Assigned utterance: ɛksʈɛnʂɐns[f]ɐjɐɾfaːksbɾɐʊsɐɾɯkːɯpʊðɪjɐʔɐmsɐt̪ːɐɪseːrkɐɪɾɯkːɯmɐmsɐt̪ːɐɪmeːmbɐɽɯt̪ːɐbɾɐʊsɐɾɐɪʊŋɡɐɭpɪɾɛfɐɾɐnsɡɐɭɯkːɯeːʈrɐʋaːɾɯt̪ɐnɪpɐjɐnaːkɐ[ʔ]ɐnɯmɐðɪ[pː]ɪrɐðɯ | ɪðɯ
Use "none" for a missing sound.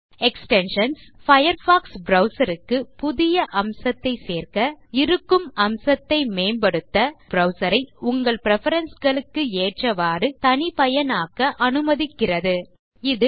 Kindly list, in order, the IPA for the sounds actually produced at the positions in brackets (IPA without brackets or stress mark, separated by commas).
f, ʔ, kː